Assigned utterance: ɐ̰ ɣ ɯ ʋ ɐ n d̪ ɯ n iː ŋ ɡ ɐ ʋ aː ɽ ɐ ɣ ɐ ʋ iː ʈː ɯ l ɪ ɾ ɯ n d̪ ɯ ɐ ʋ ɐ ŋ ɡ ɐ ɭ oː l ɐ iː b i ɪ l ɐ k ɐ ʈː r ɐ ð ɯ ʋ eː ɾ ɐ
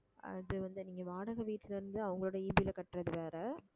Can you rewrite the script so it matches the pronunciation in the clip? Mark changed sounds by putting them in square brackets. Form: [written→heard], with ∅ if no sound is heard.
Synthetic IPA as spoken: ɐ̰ [ɣ→ð] ɯ ʋ ɐ n d̪ ɯ n iː ŋ ɡ ɐ ʋ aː ɽ ɐ ɣ ɐ ʋ iː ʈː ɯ l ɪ ɾ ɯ n d̪ ɯ ɐ ʋ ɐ ŋ ɡ ɐ ɭ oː [l→ɽ] ɐ iː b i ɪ l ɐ k ɐ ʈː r ɐ ð ɯ ʋ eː ɾ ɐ

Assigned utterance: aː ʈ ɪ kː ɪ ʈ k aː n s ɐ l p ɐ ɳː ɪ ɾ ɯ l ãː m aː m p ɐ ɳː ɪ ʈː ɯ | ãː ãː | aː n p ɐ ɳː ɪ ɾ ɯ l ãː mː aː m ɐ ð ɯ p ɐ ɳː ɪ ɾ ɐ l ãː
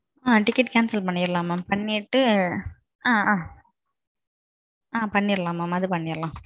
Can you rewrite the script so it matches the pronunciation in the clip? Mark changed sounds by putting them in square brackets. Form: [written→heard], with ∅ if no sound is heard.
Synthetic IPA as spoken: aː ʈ ɪ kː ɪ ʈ k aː n s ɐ l p ɐ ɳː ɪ ɾ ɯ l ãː m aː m p ɐ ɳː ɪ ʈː ɯ | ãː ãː | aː [n→∅] p ɐ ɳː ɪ ɾ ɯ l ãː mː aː m ɐ ð ɯ p ɐ ɳː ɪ ɾ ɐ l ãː

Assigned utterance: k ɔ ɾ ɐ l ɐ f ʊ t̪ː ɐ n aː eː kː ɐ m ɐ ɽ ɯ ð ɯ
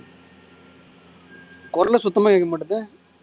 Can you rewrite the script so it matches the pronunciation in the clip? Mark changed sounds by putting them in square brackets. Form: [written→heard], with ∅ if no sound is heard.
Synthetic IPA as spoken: k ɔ ɾ ɐ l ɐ [f→s] ʊ t̪ː ɐ [n→m] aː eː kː ɐ m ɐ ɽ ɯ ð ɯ

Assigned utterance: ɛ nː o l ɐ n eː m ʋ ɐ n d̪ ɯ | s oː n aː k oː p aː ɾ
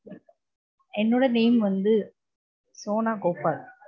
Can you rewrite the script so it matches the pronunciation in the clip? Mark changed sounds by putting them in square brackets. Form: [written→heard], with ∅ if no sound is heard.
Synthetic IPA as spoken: ɛ nː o [l→ɽ] ɐ n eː m ʋ ɐ n d̪ ɯ | s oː n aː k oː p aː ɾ

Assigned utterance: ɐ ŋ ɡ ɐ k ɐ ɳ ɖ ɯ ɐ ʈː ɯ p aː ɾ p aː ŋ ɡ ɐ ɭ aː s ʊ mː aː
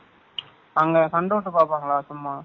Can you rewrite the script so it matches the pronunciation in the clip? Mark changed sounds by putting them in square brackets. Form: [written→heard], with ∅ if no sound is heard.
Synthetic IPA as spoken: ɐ ŋ ɡ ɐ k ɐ ɳ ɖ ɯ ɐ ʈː ɯ p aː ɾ p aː ŋ ɡ ɐ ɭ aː s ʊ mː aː

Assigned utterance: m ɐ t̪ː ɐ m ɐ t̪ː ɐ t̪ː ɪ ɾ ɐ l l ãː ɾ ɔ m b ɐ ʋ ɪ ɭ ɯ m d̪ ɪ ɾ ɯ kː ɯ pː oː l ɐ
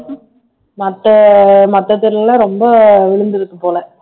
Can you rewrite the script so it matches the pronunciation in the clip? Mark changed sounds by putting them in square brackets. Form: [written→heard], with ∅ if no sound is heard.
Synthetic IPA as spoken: m ɐ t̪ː ɐ m ɐ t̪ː ɐ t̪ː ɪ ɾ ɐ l l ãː ɾ ɔ m b ɐ ʋ ɪ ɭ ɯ [m→n] d̪ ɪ ɾ ɯ kː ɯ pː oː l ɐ

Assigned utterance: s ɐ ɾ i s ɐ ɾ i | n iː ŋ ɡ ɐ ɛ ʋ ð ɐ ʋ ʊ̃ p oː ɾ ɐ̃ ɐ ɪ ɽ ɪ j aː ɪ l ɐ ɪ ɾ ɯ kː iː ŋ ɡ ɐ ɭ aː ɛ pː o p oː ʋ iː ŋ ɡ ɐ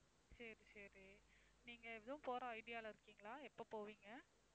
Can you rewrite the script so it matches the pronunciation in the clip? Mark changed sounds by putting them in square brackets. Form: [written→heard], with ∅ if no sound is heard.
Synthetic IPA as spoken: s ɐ ɾ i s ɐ ɾ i | n iː ŋ ɡ ɐ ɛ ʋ ð ɐ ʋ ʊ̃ p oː ɾ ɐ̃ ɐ ɪ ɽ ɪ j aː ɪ l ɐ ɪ ɾ ɯ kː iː ŋ ɡ ɐ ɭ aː ɛ pː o p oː ʋ iː ŋ ɡ ɐ

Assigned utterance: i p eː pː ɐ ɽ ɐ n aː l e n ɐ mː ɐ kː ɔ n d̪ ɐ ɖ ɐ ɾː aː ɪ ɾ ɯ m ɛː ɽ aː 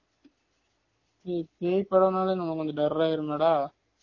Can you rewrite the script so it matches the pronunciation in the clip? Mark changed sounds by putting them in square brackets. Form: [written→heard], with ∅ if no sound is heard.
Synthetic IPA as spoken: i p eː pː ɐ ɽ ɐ n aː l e n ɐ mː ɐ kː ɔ n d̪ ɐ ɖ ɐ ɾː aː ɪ ɾ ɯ m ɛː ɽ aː

